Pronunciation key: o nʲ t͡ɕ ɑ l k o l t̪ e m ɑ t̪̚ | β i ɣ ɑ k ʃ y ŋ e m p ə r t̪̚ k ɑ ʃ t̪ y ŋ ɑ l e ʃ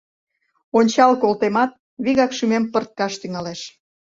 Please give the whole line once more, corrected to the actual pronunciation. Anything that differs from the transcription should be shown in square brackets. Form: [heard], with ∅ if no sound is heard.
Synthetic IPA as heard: o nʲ t͡ɕ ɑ l k o l t̪ e m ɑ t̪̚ | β i ɣ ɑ k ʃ y [m] e m p ə r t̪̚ k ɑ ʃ t̪ y ŋ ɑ l e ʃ